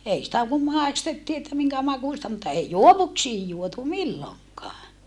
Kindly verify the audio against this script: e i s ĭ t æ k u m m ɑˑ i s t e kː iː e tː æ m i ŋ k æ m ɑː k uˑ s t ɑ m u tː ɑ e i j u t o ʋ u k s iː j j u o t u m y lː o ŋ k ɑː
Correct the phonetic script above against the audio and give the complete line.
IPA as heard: e i s ĭ t æ k u m m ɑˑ i s t e tː iː e tː æ m i ŋ k æ m ɑ k uˑ s t ɑ m u tː ɑ e i j u o ʋ u k s iː j j u o t u m i lː o ŋ k ɑː

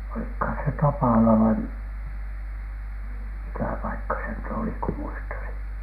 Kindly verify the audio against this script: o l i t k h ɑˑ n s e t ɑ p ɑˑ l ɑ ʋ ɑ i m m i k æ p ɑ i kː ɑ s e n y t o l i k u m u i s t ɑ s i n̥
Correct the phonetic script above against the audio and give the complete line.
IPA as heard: o l i k h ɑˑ n s e t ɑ p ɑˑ l ɑ ʋ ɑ i m m i k æ p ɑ i kː ɑ s e n y t o l i k u m u i s t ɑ s i n̥

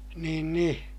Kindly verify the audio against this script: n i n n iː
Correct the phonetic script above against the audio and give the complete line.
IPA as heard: n iː n n i

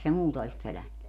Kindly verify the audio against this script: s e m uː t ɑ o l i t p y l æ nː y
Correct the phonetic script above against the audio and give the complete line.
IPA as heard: s e m uː t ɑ o l i s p ø l æ nː y

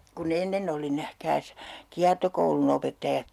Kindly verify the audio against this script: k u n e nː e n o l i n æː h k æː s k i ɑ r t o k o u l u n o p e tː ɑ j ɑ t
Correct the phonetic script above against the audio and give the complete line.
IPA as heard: k u n e nː e n o l i n æ h k æː s k i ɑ r t o k o u l u n o p e tː ɑ j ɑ t

